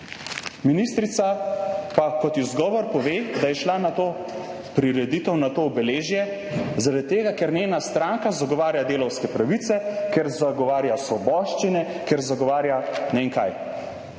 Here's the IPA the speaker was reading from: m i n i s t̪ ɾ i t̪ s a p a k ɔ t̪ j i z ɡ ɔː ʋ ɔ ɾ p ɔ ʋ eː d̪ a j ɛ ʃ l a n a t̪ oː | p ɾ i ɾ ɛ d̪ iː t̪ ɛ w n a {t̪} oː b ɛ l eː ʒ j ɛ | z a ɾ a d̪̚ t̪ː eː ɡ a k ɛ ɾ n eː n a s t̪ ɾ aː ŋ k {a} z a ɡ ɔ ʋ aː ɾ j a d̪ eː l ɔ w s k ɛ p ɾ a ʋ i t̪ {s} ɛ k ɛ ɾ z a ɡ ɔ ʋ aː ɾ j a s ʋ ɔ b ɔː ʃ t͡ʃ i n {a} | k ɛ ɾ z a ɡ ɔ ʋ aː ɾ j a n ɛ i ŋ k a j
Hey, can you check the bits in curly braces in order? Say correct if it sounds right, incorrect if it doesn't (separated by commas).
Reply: correct, correct, correct, incorrect